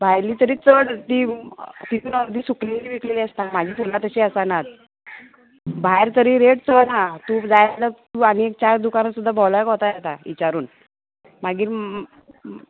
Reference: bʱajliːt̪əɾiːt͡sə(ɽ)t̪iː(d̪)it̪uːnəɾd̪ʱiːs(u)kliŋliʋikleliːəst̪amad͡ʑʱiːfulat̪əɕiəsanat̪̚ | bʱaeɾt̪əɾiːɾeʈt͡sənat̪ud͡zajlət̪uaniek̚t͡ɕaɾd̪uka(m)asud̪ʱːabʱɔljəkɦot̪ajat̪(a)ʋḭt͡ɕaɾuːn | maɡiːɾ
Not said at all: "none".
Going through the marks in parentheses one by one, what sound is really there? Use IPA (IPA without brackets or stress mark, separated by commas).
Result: ɽ, t̪, u, n, a